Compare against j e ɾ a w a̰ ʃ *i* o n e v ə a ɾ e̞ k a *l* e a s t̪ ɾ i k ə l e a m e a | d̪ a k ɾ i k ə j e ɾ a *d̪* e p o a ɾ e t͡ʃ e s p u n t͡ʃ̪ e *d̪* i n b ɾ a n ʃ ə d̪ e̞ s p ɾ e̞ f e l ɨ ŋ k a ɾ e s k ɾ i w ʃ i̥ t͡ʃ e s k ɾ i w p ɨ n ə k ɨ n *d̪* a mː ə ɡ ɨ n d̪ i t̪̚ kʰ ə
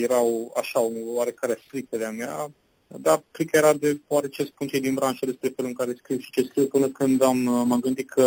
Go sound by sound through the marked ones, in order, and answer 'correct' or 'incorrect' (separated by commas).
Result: incorrect, incorrect, correct, correct, correct